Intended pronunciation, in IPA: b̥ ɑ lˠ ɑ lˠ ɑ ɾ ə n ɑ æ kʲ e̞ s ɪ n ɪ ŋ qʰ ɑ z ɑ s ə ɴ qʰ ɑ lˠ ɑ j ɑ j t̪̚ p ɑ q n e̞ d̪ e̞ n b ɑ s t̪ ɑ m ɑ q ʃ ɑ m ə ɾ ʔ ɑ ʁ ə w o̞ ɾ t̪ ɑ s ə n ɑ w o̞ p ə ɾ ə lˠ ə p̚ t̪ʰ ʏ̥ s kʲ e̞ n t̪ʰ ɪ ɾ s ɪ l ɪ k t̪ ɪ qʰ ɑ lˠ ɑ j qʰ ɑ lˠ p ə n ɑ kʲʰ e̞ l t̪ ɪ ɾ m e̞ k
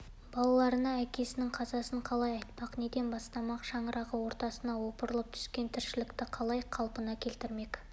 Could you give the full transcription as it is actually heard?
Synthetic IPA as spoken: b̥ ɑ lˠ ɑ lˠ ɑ ɾ ə n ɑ æ kʲ e̞ s ɪ n ɪ ŋ qʰ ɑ z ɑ s ə ɴ qʰ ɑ lˠ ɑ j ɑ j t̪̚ p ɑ q n e̞ d̪ e̞ n b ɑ s t̪ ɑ m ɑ q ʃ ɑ ɴ ə ɾ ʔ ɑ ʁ ə w o̞ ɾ t̪ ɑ s ə n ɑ w o̞ p ə ɾ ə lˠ ə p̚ t̪ʰ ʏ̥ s kʲ e̞ n t̪ʰ ɪ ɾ ʃ ɪ l ɪ k t̪ ɪ qʰ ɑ lˠ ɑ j qʰ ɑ lˠ p ə n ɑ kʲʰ e̞ l t̪ ɪ ɾ m e̞ k

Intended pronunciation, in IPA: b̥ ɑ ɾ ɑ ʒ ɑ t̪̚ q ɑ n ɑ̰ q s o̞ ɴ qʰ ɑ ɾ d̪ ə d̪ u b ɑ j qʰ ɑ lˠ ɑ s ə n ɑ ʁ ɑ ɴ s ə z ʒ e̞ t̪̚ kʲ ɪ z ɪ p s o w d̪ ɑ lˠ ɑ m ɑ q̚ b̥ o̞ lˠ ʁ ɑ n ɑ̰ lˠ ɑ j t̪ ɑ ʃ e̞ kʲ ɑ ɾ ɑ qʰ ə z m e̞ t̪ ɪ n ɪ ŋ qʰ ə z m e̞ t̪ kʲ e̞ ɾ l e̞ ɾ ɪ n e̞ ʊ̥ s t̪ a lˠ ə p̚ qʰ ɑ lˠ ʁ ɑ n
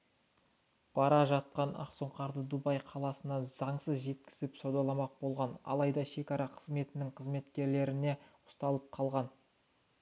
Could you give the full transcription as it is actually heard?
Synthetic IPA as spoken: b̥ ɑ ɾ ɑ ʒ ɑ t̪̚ q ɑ n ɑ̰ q s o̞ ɴ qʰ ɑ ɾ d̪ ə d̪ u b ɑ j qʰ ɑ lˠ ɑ s ə n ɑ z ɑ ɴ s ə z ʒ e̞ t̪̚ kʲ ɪ z ɪ p s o w d̪ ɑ lˠ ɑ m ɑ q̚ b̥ o̞ lˠ ʁ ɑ n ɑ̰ lˠ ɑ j d̪ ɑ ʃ e̞ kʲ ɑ ɾ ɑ qʰ ə z m e̞ t̪ ɪ n ɪ ŋ qʰ ə z m e̞ t̪ kʲ e̞ ɾ l e̞ ɾ ɪ n e̞ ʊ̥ s t̪ ɑ lˠ ə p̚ qʰ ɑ lˠ ʁ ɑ n

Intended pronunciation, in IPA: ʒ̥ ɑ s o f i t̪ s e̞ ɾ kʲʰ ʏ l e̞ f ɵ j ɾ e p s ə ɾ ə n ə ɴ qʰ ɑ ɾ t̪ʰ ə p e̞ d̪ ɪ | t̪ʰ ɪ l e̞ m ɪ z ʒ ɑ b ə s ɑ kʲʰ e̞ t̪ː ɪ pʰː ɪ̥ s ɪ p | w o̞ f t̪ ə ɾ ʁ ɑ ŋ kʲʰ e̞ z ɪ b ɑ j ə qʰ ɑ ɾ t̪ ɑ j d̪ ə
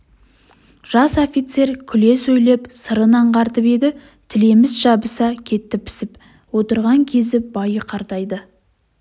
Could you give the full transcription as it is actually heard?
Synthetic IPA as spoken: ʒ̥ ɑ s o f i t̪ s e̞ ɾ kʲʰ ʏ l e̞ s ɵ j l e p s ə ɾ ə n ɑ ɴ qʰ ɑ ɾ t̪ ə p e̞ d̪ ɪ | t̪ʰ ɪ l e̞ m ɪ z ʒ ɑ b ə s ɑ kʲʰ e̞ t̪ː ɪ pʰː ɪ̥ s ɪ p | w o̞ t̪ ə ɾ ʁ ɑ ŋ kʲʰ e̞ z ɪ b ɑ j ə qʰ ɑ ɾ t̪ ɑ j d̪ ə

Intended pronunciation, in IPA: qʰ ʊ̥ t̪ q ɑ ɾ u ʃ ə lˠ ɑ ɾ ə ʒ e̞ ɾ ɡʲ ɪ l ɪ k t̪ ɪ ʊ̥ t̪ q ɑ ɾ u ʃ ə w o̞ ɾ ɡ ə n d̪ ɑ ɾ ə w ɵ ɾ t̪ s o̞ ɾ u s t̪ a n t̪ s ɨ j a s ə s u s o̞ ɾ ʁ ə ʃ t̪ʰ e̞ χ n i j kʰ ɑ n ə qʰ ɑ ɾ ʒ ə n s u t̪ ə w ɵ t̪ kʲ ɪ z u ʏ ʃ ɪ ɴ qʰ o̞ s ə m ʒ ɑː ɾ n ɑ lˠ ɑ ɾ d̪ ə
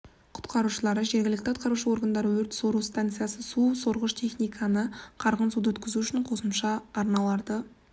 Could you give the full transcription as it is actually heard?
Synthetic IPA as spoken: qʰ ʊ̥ t̪ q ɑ ɾ u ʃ ə lˠ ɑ ɾ ə ʒ e̞ ɾ ɡʲ ɪ l ɪ k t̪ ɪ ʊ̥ t̪ q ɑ ɾ u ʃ ə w o̞ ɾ ɡ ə n d̪ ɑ ɾ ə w ɵ ɾ t̪ s o̞ ɾ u s t̪ a n t̪ s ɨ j a s ə s u s o̞ ɾ ʁ ə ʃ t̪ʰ e̞ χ n i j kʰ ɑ n ə qʰ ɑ ɾ ʁ ə n s u d̪ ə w ɵ t̪ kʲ ɪ z u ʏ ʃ ɪ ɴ qʰ o̞ s ə m ʃ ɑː ɾ n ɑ lˠ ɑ ɾ d̪ ə

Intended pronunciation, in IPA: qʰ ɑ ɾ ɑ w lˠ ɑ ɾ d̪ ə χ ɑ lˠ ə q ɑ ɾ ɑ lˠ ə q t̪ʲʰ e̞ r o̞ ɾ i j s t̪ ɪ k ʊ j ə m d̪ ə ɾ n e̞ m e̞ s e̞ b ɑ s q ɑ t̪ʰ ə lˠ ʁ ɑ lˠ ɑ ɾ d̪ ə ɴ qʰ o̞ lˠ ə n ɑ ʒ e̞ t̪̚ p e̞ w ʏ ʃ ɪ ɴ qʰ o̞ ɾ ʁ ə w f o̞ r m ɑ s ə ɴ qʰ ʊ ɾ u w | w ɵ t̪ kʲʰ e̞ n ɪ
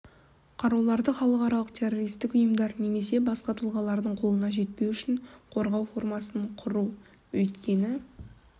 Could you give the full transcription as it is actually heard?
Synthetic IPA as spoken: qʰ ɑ ɾ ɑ w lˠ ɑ ɾ d̪ ə χ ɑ lˠ ə q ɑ ɾ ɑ lˠ ə q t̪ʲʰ e̞ r o̞ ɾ i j s t̪ ɪ k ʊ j ə m d̪ ɑ ɾ n e̞ m e̞ s e̞ b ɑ s q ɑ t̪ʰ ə lˠ ʁ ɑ lˠ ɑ ɾ d̪ ə ɴ qʰ o̞ lˠ ə n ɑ ʒ e̞ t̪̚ p e̞ w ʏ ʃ ɪ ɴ qʰ o̞ ɾ ʁ ɑ w f o̞ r m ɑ s ə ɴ qʰ ʊ ɾ u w | w ɵ t̪ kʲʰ e̞ n ɪ

